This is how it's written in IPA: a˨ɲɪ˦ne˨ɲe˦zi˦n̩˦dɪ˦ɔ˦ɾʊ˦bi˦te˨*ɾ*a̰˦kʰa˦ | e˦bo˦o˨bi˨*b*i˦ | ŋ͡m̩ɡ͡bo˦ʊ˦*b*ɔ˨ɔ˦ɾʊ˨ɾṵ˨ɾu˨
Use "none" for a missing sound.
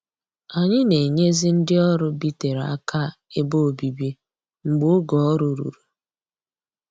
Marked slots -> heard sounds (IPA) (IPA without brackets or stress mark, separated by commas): ɾ, b, ɡ